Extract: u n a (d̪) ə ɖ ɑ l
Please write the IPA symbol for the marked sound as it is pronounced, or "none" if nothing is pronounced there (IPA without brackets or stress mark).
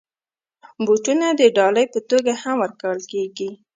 d̪